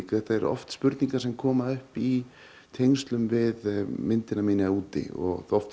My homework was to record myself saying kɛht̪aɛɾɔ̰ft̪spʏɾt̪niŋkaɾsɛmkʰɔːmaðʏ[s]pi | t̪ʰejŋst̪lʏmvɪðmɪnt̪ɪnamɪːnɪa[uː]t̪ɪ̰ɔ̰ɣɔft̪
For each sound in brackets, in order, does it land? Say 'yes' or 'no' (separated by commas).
no, yes